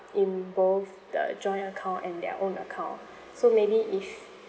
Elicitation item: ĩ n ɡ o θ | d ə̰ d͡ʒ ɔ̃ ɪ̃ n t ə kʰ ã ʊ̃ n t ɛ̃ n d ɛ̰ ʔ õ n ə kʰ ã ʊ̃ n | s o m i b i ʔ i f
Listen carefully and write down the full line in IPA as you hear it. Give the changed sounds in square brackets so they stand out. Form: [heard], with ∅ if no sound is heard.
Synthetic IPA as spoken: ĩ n [b] o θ | d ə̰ d͡ʒ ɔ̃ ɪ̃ n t ə kʰ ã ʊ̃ n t ɛ̃ n d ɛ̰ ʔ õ n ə kʰ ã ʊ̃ n | s o m [e] b i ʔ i f